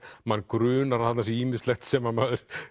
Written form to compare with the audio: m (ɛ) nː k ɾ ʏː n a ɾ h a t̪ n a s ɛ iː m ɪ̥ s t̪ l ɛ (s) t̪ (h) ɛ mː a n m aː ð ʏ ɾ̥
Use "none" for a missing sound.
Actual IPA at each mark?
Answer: a, x, s

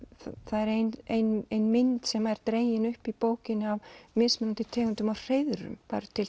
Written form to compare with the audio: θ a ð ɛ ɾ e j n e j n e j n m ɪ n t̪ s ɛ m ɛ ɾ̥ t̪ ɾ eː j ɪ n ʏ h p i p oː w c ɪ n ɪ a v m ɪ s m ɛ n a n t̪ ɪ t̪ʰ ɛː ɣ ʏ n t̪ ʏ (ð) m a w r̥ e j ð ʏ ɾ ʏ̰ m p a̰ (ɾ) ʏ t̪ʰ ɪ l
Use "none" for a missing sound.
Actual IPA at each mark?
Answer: none, ɾ

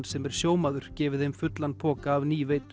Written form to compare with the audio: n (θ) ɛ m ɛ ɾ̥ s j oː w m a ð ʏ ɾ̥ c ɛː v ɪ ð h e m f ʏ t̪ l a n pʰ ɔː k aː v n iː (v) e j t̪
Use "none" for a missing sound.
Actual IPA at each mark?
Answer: s, v

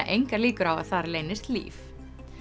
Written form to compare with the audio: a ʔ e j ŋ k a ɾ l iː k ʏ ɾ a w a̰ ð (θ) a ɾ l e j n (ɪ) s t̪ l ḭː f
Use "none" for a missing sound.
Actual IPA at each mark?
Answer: θ, ɪ

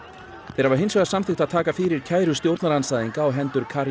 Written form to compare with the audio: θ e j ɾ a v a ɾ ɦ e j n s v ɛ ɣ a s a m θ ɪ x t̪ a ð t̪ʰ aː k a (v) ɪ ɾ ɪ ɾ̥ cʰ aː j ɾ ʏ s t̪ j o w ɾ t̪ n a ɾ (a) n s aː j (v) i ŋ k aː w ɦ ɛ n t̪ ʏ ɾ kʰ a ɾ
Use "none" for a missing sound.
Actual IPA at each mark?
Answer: f, a, ð

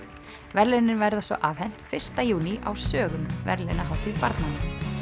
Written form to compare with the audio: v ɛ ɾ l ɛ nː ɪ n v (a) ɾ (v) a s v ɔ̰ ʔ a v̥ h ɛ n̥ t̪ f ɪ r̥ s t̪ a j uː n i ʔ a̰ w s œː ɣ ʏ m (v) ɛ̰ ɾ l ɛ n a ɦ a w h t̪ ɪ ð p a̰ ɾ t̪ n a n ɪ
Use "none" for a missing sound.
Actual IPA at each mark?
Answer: ɛ, ð, v

